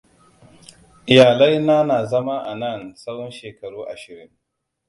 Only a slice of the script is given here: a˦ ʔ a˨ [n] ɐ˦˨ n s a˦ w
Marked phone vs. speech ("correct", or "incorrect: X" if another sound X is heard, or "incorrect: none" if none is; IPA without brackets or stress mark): correct